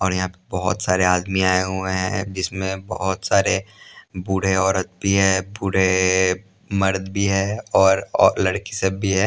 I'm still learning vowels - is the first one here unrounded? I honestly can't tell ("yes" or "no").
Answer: no